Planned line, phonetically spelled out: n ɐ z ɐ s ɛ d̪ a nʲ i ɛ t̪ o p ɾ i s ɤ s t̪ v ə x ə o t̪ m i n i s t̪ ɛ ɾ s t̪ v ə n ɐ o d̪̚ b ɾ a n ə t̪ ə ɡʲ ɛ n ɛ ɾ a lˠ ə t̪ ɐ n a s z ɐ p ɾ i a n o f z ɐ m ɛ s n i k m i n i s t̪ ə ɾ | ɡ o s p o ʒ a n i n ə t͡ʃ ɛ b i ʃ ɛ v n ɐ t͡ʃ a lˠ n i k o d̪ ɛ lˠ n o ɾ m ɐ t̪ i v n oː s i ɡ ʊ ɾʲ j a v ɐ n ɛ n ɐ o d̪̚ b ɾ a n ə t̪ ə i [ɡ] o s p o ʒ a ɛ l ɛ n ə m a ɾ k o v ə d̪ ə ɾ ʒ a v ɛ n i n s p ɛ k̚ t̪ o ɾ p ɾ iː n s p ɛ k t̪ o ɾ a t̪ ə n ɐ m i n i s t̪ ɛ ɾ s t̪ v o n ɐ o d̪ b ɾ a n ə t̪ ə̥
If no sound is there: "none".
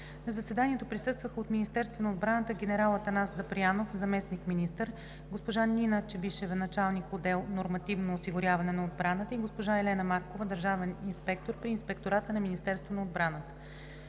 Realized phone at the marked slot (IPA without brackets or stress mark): ɡ